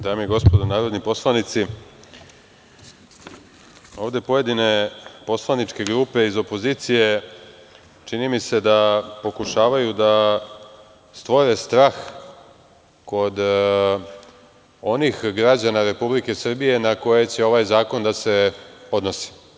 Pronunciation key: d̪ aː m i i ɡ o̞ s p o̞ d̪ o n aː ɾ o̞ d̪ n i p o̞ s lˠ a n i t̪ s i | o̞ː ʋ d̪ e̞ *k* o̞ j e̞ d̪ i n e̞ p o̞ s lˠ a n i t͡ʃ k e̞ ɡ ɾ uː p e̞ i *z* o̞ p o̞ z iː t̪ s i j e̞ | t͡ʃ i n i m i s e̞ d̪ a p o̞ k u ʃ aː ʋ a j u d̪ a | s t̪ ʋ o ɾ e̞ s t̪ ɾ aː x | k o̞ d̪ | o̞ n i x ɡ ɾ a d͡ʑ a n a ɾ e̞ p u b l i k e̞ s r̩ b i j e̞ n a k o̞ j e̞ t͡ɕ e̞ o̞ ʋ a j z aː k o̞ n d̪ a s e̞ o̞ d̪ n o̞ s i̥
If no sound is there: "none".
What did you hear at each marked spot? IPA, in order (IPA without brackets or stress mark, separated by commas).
p, z